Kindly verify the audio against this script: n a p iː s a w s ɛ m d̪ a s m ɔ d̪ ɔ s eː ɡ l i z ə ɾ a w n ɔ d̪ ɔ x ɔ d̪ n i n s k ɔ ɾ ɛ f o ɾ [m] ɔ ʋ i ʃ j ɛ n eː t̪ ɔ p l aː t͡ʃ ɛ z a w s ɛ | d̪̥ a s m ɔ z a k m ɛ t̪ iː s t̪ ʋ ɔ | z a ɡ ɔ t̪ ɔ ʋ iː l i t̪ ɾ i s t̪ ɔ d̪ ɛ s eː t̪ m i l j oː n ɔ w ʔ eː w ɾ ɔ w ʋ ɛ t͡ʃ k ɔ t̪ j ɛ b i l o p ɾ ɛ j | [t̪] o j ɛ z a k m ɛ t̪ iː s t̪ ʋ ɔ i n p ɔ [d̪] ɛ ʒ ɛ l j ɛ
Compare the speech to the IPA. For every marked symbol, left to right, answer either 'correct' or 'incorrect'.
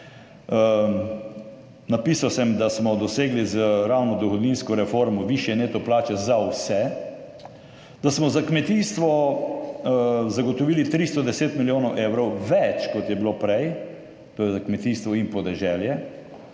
correct, correct, correct

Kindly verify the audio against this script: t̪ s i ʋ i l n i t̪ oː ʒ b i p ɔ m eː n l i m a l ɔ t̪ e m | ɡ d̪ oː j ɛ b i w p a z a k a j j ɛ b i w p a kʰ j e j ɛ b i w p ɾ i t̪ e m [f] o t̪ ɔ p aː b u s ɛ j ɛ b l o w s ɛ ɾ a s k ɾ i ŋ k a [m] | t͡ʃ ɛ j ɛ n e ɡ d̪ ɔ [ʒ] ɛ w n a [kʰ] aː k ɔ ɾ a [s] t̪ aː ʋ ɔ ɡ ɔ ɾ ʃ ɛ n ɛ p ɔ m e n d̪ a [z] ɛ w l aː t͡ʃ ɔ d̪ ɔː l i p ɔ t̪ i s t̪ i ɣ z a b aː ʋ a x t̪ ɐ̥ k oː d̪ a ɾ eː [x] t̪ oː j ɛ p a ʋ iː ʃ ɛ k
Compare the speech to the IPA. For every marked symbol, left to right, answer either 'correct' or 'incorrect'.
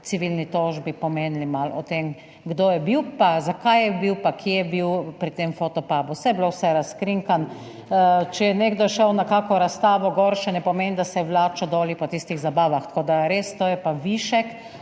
correct, incorrect, incorrect, incorrect, correct, incorrect, incorrect

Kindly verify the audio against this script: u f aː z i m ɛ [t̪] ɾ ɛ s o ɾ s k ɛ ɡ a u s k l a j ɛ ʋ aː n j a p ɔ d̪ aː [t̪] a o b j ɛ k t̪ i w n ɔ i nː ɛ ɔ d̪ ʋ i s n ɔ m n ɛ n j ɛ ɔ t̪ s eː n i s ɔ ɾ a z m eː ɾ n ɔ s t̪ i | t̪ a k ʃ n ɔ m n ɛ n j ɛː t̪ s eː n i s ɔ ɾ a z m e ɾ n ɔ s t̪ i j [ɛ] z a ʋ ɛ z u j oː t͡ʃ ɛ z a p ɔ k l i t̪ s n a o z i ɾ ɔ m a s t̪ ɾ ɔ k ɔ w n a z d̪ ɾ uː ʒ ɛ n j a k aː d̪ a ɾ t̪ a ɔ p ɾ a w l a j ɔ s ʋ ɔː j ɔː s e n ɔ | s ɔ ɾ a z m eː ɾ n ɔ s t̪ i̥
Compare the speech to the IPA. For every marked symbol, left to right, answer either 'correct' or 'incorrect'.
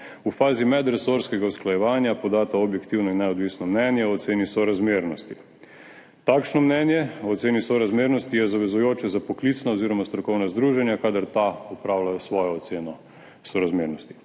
incorrect, correct, correct

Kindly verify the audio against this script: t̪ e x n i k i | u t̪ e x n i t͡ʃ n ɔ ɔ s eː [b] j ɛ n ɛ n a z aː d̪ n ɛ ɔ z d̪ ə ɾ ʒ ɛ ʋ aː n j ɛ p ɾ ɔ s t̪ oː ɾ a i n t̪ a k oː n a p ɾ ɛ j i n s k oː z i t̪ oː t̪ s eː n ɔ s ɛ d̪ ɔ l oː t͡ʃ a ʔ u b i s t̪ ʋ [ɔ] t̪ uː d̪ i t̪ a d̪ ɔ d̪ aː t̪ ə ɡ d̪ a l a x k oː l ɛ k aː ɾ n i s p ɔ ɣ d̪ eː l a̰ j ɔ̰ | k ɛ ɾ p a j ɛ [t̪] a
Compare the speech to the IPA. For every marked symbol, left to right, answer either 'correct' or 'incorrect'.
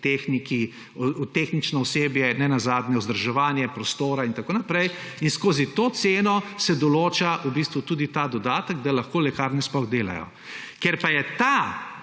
correct, incorrect, correct

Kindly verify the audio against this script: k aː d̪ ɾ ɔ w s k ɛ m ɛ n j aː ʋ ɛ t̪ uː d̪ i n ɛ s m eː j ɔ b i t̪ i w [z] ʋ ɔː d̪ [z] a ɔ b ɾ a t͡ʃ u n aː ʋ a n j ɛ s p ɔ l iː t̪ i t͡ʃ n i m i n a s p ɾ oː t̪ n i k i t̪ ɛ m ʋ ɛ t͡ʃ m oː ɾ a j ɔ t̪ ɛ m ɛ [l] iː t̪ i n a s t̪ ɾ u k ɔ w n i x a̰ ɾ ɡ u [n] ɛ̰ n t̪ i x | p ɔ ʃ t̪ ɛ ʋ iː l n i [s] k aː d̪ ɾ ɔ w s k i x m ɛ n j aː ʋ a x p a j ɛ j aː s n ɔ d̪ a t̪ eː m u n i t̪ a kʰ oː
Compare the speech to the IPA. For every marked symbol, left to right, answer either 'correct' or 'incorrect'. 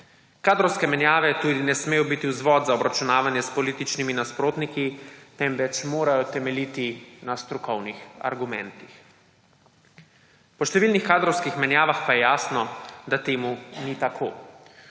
correct, correct, correct, incorrect, incorrect

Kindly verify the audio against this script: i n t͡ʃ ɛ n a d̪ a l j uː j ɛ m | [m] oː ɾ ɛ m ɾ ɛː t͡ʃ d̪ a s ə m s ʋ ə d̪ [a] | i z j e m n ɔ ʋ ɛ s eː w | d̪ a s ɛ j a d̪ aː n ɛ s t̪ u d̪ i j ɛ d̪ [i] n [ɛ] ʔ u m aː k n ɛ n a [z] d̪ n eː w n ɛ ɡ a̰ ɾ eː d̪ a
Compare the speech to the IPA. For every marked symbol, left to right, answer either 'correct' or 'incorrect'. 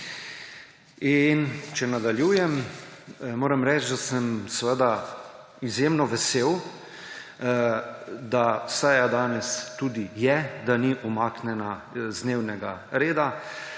correct, correct, incorrect, incorrect, correct

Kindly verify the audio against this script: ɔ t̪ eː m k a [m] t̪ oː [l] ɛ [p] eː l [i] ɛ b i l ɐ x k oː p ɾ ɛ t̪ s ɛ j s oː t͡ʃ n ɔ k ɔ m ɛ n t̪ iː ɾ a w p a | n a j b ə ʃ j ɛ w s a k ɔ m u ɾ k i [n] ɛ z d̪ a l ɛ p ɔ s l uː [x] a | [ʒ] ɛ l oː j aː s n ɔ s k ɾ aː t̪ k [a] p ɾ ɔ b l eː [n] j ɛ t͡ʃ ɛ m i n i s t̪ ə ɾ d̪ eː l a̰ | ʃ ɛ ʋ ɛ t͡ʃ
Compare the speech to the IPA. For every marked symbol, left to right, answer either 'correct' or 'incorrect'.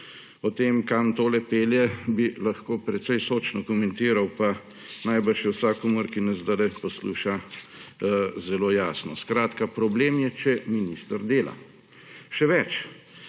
correct, correct, correct, incorrect, correct, incorrect, incorrect, correct, incorrect

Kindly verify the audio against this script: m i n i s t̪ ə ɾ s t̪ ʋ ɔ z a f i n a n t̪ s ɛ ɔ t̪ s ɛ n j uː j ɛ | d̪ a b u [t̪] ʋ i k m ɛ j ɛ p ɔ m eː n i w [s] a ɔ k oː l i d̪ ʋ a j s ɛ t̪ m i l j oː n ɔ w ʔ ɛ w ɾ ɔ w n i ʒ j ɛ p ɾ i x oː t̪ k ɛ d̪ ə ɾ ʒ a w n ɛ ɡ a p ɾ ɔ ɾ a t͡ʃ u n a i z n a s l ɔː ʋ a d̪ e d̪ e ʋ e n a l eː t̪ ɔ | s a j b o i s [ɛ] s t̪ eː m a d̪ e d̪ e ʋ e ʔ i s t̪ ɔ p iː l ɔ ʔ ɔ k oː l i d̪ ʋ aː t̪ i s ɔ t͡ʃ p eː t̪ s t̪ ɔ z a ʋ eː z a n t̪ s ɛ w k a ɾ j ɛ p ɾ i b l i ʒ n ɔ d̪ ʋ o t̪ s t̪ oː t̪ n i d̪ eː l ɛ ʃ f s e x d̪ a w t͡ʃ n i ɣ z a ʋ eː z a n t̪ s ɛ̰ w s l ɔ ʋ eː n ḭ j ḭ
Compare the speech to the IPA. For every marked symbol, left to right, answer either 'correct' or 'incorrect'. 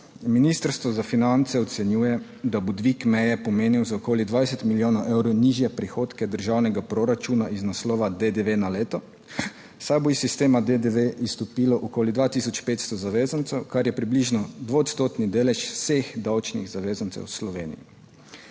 incorrect, incorrect, incorrect

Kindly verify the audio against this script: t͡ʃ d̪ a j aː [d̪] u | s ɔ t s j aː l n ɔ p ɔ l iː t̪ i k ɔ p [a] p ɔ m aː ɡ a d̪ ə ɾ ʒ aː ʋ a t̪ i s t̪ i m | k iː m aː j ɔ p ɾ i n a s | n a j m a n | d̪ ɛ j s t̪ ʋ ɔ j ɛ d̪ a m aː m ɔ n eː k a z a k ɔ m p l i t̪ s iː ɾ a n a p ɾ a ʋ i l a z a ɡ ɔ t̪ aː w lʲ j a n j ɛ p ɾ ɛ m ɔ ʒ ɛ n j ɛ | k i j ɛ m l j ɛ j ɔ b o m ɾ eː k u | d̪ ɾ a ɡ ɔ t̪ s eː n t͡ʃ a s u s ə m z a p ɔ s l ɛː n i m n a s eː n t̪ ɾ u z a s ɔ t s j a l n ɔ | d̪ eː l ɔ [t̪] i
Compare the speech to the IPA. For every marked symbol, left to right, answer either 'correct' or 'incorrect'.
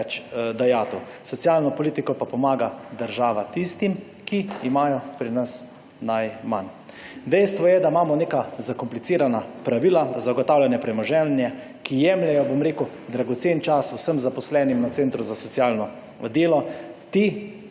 incorrect, correct, correct

